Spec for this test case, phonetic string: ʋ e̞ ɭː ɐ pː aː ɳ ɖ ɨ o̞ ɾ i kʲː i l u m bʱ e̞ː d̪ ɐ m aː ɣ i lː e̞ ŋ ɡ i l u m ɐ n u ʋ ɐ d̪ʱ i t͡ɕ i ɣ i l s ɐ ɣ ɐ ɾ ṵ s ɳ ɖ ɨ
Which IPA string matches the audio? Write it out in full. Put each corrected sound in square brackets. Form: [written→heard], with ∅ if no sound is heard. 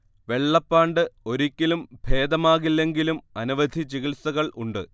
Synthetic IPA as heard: ʋ e̞ ɭː ɐ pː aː ɳ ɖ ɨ o̞ ɾ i kʲː i l u m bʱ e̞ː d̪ ɐ m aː ɣ i lː e̞ ŋ ɡ i l u m ɐ n u ʋ ɐ d̪ʱ i t͡ɕ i ɣ i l s ɐ ɣ ɐ [ɾ→ɭ] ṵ [s→∅] ɳ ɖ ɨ